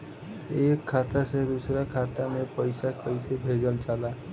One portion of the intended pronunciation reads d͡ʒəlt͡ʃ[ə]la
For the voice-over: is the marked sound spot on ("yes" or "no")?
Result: no